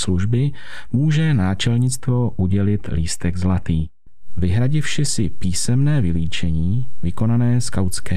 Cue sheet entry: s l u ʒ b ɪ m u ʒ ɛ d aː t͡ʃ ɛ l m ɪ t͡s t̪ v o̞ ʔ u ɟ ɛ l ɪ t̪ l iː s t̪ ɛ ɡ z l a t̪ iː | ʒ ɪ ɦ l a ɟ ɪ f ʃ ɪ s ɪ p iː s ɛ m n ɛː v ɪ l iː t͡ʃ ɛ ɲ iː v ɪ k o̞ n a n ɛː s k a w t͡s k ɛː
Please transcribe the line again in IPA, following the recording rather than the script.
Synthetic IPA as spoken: s l u ʒ b ɪ m uː ʒ ɛ n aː t͡ʃ ɛ l ɲ ɪ t͡s t̪ v o̞ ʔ u ɟ ɛ l ɪ t̪ l iː s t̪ ɛ ɡ z l a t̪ iː | v ɪ ɦ ɾ a ɟ ɪ f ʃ ɪ s ɪ p iː s ɛ m n ɛː v ɪ l iː t͡ʃ ɛ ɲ iː v ɪ k o̞ n a n ɛː s k a w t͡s k ɛː